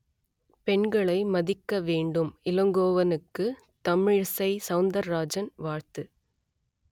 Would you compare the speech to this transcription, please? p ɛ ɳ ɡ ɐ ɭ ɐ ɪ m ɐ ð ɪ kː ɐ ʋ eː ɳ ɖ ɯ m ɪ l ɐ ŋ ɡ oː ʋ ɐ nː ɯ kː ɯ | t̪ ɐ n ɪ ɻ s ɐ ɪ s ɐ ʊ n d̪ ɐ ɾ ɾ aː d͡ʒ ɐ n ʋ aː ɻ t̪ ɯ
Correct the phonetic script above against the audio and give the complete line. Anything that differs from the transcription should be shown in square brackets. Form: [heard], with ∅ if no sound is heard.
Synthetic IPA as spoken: p ɛ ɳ ɡ ɐ ɭ ɐ ɪ m ɐ ð ɪ kː ɐ ʋ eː ɳ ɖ ɯ m ɪ l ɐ ŋ ɡ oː ʋ ɐ [n] ɯ kː ɯ | t̪ ɐ [m] ɪ ɻ s ɐ ɪ s ɐ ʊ n d̪ ɐ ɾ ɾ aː d͡ʒ ɐ n ʋ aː ɻ t̪ ɯ